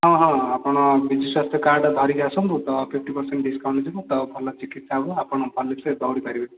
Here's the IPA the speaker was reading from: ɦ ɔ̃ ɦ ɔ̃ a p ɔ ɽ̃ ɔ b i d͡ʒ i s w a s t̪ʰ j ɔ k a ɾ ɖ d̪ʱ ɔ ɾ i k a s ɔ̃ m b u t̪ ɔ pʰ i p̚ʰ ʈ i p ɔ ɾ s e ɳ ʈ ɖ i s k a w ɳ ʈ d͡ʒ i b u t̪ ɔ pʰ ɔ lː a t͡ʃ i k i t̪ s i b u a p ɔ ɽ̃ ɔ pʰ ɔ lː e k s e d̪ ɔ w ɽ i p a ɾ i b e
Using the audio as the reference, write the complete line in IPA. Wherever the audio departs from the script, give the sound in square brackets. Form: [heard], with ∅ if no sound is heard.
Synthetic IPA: ɦ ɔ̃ ɦ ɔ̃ a p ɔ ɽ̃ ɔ b i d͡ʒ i s w a s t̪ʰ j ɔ k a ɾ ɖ d̪ʱ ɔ ɾ i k a s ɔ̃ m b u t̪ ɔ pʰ i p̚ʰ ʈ i p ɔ ɾ s e ɳ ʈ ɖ i s k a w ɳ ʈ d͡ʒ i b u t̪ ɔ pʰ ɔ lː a t͡ʃ i k i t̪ s [a] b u a p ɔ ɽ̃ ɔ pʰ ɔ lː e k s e d̪ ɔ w ɽ i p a ɾ i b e

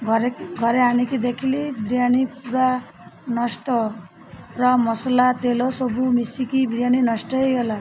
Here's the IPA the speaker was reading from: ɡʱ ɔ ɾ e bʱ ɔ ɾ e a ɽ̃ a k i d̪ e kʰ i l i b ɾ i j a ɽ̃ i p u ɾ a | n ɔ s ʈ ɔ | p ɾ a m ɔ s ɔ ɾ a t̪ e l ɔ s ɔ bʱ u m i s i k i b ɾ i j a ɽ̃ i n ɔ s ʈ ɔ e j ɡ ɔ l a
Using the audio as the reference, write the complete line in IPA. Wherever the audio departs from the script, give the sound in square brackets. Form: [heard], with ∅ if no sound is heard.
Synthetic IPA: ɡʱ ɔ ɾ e [ɡʱ] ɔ ɾ e a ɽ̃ [i] k i d̪ e kʰ i l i b ɾ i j a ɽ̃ i p u ɾ a | n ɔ s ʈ ɔ | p ɾ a m ɔ s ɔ [l] a t̪ e l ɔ s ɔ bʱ u m i s i k i b ɾ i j a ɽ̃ i n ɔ s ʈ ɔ e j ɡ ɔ l a

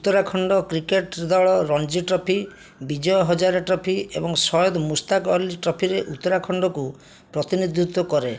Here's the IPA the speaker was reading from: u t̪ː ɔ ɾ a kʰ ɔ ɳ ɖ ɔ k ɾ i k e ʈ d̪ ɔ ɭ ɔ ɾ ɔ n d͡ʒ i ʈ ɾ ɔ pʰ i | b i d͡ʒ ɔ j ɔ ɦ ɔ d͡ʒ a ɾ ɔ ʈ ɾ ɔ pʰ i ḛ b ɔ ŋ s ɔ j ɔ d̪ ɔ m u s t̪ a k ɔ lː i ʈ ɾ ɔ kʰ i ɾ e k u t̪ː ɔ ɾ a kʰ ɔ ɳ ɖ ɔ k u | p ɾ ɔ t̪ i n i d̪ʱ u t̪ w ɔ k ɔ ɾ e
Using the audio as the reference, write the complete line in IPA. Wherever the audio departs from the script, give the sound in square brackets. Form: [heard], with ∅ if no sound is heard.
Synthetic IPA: u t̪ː ɔ ɾ a kʰ ɔ ɳ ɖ ɔ k ɾ i k e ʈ d̪ ɔ ɭ ɔ ɾ ɔ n d͡ʒ i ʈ ɾ ɔ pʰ i | b i d͡ʒ ɔ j ɔ ɦ ɔ d͡ʒ a ɾ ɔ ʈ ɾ ɔ pʰ i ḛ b ɔ ŋ s ɔ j ɔ d̪ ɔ m u s t̪ a k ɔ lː i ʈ ɾ ɔ [pʰ] i ɾ e [ʔ] u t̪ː ɔ ɾ a kʰ ɔ ɳ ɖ ɔ k u | p ɾ ɔ t̪ i n i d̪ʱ u t̪ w ɔ k ɔ ɾ e

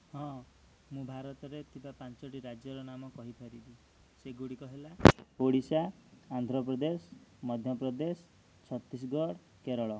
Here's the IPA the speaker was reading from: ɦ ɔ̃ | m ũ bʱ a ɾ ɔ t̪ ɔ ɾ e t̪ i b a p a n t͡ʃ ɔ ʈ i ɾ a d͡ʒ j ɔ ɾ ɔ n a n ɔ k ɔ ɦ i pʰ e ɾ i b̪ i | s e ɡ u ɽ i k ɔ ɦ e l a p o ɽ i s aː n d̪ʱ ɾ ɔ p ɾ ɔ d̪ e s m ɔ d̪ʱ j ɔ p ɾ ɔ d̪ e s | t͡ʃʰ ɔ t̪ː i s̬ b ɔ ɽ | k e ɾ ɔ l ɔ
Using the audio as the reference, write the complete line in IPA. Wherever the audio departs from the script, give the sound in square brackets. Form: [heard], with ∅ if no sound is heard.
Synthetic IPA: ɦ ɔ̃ | m ũ bʱ a ɾ ɔ t̪ ɔ ɾ e t̪ i b a p a n t͡ʃ ɔ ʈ i ɾ a d͡ʒ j ɔ ɾ ɔ n a [m] ɔ k ɔ ɦ i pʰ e ɾ i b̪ i | s e ɡ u ɽ i k ɔ ɦ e l a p o ɽ i s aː n d̪ʱ ɾ ɔ p ɾ ɔ d̪ e s m ɔ d̪ʱ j ɔ p ɾ ɔ d̪ e s | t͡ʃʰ ɔ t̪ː i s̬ [ɡ] ɔ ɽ | k e ɾ ɔ [ɭ] ɔ

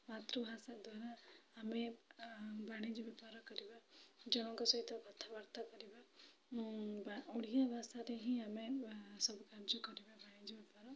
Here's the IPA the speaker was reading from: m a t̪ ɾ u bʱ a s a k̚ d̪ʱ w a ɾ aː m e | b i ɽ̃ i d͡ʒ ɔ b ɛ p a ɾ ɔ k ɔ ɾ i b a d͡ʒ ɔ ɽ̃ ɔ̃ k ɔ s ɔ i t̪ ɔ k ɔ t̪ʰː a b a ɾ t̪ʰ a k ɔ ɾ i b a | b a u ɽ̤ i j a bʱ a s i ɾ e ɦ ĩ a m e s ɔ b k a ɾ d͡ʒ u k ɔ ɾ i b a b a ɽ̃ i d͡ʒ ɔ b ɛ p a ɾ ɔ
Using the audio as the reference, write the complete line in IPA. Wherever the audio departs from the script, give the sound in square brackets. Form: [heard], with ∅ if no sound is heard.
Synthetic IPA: m a t̪ ɾ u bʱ a s a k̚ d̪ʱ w a ɾ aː m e | b [a] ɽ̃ i d͡ʒ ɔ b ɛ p a ɾ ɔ k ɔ ɾ i b a d͡ʒ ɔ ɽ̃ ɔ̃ k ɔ s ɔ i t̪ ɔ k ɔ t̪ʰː a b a ɾ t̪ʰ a k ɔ ɾ i b a | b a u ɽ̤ i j a bʱ a s [a] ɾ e ɦ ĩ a m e s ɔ b k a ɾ d͡ʒ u k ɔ ɾ i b a b a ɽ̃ i d͡ʒ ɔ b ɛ p a ɾ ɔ

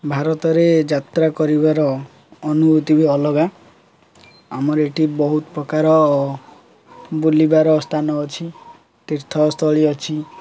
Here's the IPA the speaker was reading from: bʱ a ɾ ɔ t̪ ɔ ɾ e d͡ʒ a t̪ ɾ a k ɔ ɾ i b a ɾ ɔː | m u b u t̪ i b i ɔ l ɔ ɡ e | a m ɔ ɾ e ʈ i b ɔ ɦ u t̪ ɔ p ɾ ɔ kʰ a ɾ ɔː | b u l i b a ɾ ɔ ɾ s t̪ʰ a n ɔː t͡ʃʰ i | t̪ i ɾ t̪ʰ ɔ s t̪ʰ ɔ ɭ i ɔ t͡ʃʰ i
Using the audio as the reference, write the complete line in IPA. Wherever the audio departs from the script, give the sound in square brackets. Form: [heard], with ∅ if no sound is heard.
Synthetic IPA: bʱ a ɾ ɔ t̪ ɔ ɾ e d͡ʒ a t̪ ɾ a k ɔ ɾ i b a ɾ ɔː | [n] u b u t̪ i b i ɔ l ɔ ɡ [a] | a m ɔ ɾ e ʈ i b ɔ ɦ u t̪ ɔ p ɾ ɔ [k] a ɾ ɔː | b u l i b a ɾ ɔ [∅] s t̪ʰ a n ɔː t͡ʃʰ i | t̪ i ɾ t̪ʰ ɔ s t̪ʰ ɔ ɭ i ɔ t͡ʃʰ i

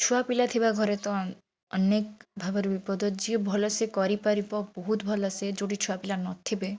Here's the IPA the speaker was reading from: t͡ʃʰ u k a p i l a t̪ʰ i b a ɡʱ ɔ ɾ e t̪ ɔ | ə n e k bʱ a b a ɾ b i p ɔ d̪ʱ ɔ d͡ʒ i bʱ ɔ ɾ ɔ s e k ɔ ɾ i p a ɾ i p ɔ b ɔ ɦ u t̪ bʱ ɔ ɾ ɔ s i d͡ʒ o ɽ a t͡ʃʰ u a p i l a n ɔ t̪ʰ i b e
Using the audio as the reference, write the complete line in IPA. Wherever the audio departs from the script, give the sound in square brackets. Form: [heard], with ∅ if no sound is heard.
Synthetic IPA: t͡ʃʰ u [∅] a p i l a t̪ʰ i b a ɡʱ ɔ ɾ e t̪ ɔ | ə n e k bʱ a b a ɾ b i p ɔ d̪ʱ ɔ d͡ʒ i bʱ ɔ [l] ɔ s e k ɔ ɾ i p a ɾ i p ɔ b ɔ ɦ u t̪ bʱ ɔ [l] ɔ s [e] d͡ʒ o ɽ [i] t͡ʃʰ u a p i l a n ɔ t̪ʰ i b e

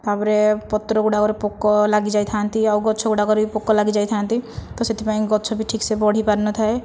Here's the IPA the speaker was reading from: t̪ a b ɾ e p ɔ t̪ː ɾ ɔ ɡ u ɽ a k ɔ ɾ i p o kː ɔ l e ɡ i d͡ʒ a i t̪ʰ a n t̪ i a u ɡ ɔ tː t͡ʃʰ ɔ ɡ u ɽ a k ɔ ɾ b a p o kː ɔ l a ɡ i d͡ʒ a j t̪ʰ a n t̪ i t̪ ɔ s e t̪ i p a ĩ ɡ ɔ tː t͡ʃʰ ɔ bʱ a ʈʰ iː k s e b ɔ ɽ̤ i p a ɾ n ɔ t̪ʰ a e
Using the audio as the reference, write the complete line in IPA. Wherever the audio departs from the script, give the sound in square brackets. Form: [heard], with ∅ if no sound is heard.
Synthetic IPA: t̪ a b ɾ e p ɔ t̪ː ɾ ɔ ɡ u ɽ a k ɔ ɾ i p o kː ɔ l [a] ɡ i d͡ʒ a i t̪ʰ a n t̪ i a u ɡ ɔ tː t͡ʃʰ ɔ ɡ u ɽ a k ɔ ɾ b [i] p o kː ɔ l a ɡ i d͡ʒ a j t̪ʰ a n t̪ i t̪ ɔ s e t̪ i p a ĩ ɡ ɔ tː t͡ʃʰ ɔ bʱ [i] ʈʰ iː k s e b ɔ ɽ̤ i p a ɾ n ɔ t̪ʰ a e

